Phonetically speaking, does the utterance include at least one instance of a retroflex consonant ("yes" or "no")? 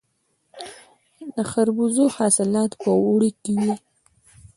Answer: yes